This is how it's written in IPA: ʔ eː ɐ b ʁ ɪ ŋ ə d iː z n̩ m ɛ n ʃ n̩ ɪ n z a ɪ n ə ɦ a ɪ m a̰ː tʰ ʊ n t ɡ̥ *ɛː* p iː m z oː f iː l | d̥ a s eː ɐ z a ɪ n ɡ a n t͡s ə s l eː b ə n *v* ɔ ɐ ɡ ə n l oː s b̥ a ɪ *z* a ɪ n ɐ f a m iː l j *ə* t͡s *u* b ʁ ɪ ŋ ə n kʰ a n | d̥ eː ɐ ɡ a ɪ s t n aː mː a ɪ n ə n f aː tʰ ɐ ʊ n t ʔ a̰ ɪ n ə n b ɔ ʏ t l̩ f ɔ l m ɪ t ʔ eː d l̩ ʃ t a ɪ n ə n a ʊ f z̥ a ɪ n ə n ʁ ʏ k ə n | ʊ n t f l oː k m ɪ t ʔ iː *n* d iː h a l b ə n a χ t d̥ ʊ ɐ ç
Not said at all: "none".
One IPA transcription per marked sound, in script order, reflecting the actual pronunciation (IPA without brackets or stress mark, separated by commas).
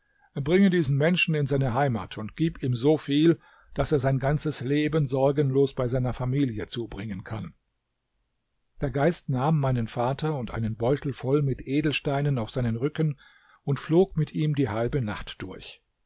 iː, z, z, ə, uː, m